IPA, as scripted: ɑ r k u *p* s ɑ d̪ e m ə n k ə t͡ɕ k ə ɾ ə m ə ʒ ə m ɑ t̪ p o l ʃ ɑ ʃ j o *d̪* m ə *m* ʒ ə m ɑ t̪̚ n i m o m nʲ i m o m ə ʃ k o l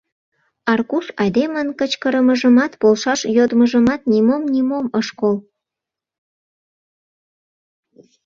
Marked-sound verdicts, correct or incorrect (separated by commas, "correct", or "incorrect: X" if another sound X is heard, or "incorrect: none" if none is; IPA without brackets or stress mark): incorrect: none, correct, incorrect: none